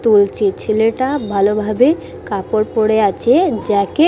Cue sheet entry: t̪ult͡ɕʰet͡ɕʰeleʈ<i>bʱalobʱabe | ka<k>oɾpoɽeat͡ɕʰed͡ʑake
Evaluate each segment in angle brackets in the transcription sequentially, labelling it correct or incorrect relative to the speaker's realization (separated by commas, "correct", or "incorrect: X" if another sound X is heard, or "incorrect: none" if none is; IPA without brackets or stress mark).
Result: incorrect: a, incorrect: p